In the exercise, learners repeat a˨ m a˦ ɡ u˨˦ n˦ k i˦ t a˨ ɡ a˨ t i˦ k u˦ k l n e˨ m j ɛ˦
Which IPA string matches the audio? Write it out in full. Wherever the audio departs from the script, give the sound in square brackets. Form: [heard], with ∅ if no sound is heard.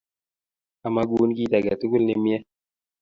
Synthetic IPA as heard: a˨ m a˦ ɡ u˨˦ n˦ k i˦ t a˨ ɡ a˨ t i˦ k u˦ [∅] l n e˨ m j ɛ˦